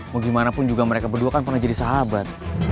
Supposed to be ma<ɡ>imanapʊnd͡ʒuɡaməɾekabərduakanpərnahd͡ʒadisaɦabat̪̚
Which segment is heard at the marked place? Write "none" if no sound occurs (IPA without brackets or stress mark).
ɡ